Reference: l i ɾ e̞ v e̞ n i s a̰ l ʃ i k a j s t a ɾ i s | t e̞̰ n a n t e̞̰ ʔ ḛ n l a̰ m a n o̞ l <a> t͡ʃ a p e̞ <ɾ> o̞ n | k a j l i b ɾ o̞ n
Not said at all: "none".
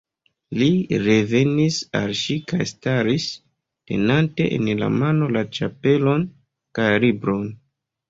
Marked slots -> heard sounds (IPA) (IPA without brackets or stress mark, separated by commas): a, l